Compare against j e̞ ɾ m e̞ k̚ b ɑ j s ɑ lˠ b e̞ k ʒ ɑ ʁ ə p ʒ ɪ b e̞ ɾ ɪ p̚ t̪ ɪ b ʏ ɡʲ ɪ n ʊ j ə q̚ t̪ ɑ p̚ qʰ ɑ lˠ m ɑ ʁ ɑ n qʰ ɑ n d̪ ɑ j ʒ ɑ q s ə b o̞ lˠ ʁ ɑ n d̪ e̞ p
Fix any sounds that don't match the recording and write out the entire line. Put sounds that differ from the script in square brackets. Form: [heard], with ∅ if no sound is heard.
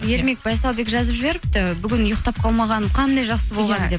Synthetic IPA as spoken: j e̞ ɾ m e̞ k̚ b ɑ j s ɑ lˠ b e̞ k ʒ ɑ [z] ə p ʒ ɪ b e̞ ɾ ɪ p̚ t̪ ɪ b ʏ ɡʲ ɪ n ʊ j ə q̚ t̪ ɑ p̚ qʰ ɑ lˠ m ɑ ʁ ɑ n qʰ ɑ n d̪ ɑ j ʒ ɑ q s ə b o̞ lˠ ʁ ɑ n d̪ e̞ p